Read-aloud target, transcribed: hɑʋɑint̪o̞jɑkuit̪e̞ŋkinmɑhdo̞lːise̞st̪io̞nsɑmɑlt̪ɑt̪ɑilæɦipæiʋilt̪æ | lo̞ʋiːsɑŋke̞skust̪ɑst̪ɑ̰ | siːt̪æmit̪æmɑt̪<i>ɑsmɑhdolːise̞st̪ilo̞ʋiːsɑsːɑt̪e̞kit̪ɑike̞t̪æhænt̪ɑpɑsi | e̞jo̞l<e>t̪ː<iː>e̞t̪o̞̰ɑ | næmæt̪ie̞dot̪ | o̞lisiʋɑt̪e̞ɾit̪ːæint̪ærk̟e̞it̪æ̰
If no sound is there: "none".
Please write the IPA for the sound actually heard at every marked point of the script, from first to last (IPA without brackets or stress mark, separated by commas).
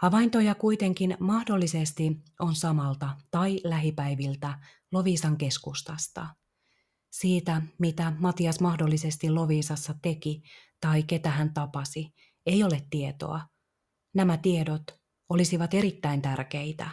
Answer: i, e, i